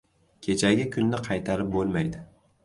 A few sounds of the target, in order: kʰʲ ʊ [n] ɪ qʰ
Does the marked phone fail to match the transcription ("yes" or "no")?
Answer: yes